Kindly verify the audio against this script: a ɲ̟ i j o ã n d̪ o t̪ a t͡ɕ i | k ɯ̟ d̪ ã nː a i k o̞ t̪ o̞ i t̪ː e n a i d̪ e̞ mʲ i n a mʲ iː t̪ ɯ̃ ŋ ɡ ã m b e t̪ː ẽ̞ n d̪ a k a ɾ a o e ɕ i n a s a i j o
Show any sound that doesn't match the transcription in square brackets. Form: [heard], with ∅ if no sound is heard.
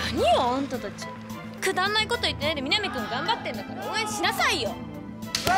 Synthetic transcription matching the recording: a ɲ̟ i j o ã n [t̪] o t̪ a t͡ɕ i | k ɯ̟ d̪ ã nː a i k o̞ t̪ o̞ i t̪ː e n a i d̪ e̞ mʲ i n a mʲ [i] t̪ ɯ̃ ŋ ɡ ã m b [a] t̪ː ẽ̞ n d̪ a k a ɾ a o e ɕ i n a s a i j o

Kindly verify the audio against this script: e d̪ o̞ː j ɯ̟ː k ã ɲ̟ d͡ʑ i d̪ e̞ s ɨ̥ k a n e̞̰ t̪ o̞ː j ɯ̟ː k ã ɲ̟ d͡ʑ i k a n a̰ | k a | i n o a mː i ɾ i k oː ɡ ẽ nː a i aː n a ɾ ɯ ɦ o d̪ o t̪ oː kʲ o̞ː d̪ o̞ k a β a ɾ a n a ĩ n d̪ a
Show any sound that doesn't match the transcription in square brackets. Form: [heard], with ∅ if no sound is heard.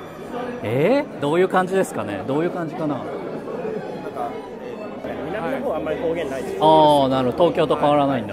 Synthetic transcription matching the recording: e d̪ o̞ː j ɯ̟ː k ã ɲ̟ d͡ʑ i d̪ e̞ s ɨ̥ k a n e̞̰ [d̪] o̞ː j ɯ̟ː k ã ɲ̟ d͡ʑ i k a n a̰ | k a | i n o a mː [a] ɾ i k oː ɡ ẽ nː a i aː n a ɾ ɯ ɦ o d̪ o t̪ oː kʲ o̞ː [t̪] o̞ k a β a ɾ a n a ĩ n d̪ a

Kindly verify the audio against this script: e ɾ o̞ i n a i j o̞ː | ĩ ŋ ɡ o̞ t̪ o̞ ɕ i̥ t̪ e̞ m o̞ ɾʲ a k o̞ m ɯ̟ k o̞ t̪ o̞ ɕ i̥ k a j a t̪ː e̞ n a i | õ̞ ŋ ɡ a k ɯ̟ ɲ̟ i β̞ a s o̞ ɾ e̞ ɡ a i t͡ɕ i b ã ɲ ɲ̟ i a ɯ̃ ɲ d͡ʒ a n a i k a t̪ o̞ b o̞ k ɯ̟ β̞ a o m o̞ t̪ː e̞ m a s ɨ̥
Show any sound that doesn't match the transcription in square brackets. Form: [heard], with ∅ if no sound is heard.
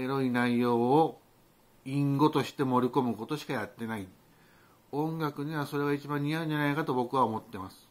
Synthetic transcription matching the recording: e ɾ o̞ i n a i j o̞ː | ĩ ŋ ɡ o̞ t̪ o̞ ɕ i̥ t̪ e̞ m o̞ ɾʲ [i] k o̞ m ɯ̟ k o̞ t̪ o̞ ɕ i̥ k a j a t̪ː e̞ n a i | õ̞ ŋ ɡ a k ɯ̟ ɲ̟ i β̞ a s o̞ ɾ e̞ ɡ a i t͡ɕ i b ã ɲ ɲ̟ i a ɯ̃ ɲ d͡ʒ a n a i k a t̪ o̞ b o̞ k ɯ̟ β̞ a o m o̞ t̪ː e̞ m a s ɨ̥

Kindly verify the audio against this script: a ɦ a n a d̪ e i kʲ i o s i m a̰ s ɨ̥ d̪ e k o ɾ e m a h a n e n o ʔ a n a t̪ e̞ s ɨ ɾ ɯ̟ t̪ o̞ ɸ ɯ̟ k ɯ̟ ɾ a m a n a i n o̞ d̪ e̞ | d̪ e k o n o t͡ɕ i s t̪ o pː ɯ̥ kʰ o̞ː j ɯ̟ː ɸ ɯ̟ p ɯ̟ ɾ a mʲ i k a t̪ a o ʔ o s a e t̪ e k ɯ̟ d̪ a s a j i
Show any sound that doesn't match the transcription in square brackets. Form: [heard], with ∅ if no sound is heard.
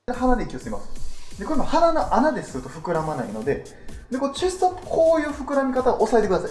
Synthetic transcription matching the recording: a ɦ a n a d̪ e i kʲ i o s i m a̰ s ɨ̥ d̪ e k o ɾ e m a h a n [a] n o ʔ a n a [d̪] e̞ s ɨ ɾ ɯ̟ t̪ o̞ ɸ ɯ̟ k ɯ̟ ɾ a m a n a i n o̞ d̪ e̞ | d̪ e k o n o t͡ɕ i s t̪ o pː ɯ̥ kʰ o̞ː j ɯ̟ː ɸ ɯ̟ [k] ɯ̟ ɾ a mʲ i k a t̪ a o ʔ o s a e t̪ e k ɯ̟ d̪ a s a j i

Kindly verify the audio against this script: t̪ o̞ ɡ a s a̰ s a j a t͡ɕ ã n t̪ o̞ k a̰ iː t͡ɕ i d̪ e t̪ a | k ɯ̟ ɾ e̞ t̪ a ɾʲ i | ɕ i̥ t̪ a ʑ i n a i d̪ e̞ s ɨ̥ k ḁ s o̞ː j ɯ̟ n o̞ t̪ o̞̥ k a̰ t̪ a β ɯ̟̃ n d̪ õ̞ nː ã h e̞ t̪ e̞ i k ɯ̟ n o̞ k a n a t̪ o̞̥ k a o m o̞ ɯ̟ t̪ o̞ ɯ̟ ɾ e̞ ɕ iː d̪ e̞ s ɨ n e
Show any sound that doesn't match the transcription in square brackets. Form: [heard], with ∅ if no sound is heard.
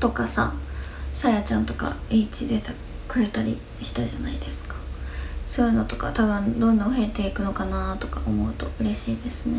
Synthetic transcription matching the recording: t̪ o̞ [k] a s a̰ s a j a t͡ɕ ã n t̪ o̞ k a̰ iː t͡ɕ i d̪ e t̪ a | k ɯ̟ ɾ e̞ t̪ a ɾʲ i | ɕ i̥ t̪ a ʑ [a] n a i d̪ e̞ s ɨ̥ k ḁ s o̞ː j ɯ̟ n o̞ t̪ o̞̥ k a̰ t̪ a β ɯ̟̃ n d̪ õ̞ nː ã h e̞ t̪ e̞ i k ɯ̟ n o̞ k a n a t̪ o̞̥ k a o m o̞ ɯ̟ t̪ o̞ ɯ̟ ɾ e̞ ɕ iː d̪ e̞ s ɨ n e

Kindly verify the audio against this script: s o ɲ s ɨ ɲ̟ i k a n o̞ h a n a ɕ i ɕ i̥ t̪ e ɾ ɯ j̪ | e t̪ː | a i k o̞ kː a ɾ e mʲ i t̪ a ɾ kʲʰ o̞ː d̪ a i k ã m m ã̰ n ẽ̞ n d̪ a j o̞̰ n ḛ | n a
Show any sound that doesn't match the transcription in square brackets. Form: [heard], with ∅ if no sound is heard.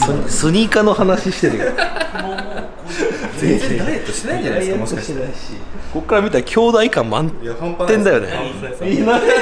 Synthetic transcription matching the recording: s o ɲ s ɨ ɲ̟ i k a n o̞ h a n a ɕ i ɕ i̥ t̪ e ɾ ɯ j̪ | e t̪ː | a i k o̞ kː a ɾ [a] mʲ i t̪ a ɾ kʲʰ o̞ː d̪ a i k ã m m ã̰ n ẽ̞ n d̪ a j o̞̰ n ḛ | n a

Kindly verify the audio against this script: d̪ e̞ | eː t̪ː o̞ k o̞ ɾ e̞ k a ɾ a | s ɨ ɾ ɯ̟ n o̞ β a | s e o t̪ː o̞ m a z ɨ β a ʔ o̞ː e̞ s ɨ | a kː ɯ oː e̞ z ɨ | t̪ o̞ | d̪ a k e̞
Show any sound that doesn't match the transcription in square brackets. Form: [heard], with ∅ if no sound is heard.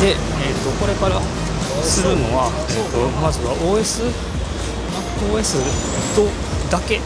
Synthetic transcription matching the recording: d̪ e̞ | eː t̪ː o̞ k o̞ ɾ e̞ k a ɾ a | s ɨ ɾ ɯ̟ n o̞ β a | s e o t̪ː o̞ m a z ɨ β a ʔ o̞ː e̞ s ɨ | a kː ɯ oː e̞ [s] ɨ | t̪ o̞ | d̪ a k e̞

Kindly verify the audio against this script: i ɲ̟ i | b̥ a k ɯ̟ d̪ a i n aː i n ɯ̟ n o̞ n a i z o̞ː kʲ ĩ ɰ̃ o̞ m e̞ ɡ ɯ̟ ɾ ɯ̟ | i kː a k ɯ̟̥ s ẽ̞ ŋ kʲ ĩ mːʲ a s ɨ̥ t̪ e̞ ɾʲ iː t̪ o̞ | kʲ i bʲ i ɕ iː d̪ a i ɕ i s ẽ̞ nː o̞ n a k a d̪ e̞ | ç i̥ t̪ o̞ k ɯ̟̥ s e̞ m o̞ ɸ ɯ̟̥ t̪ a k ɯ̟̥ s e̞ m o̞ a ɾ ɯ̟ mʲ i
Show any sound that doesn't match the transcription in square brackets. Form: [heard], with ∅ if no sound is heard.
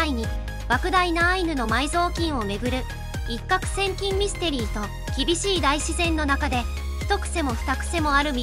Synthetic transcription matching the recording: i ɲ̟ i | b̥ a k ɯ̟ d̪ a i n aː i n ɯ̟ n o̞ [m] a i z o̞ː kʲ ĩ ɰ̃ o̞ m e̞ ɡ ɯ̟ ɾ ɯ̟ | i kː a k ɯ̟̥ s ẽ̞ ŋ kʲ ĩ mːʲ [i] s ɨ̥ t̪ e̞ ɾʲ iː t̪ o̞ | kʲ i bʲ i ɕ iː d̪ a i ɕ i [z] ẽ̞ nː o̞ n a k a d̪ e̞ | ç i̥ t̪ o̞ k ɯ̟̥ s e̞ m o̞ ɸ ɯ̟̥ t̪ a k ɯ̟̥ s e̞ m o̞ a ɾ ɯ̟ mʲ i

